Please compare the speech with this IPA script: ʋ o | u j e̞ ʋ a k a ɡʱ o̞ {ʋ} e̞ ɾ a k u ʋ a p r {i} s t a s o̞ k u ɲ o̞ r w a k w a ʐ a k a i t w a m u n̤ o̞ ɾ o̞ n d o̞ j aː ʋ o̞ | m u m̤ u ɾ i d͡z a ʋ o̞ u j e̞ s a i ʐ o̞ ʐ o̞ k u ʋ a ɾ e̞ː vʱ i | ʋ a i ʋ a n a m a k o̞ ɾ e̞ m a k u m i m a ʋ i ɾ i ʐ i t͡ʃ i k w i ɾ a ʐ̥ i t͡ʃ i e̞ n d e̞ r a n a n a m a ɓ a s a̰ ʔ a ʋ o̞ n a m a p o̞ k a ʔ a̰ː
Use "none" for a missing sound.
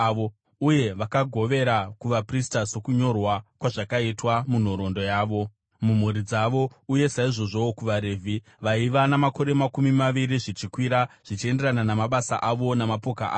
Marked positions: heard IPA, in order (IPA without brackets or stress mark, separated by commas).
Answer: ʋ, i